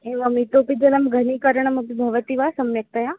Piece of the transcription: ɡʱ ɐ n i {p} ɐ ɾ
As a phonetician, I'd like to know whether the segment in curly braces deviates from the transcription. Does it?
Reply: yes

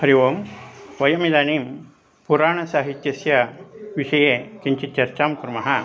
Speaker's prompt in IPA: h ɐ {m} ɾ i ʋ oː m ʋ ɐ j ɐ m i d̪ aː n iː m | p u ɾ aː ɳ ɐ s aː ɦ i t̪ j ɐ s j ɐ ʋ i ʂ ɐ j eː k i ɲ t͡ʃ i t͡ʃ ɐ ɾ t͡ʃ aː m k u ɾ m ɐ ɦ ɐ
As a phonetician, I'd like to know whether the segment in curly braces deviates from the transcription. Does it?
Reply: yes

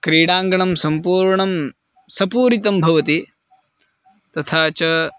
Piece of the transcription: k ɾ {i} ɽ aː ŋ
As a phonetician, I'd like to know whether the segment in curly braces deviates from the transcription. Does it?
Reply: yes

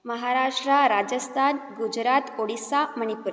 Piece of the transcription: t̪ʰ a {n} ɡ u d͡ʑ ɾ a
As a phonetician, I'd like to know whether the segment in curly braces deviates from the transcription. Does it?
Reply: no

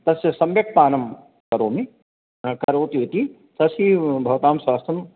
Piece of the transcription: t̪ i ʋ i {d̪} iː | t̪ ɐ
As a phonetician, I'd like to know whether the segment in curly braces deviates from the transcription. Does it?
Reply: yes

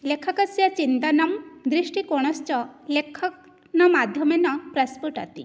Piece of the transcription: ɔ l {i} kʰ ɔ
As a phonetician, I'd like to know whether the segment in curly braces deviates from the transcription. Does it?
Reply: yes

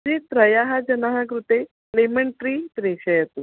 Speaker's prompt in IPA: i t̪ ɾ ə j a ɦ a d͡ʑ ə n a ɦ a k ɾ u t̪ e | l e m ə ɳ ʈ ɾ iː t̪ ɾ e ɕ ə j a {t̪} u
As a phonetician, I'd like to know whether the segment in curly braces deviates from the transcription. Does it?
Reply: no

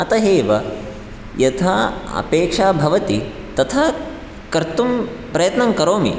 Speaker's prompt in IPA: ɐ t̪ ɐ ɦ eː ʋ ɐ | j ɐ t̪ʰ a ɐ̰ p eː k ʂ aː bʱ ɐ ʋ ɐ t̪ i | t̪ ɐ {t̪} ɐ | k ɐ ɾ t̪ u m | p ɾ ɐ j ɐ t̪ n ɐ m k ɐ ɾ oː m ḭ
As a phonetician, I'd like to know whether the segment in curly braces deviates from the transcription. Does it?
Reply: yes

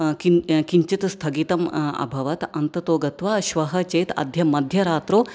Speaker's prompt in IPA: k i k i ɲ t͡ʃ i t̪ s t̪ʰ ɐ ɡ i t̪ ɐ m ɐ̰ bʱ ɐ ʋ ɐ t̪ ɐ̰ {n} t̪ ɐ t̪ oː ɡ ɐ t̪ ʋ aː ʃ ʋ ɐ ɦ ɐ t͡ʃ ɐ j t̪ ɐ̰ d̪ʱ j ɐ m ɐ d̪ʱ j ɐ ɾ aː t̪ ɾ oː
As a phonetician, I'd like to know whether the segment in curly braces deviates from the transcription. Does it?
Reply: no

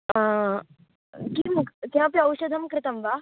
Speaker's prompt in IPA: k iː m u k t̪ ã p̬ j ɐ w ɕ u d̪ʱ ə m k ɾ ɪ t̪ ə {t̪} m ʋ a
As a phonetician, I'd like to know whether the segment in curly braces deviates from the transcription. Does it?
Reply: yes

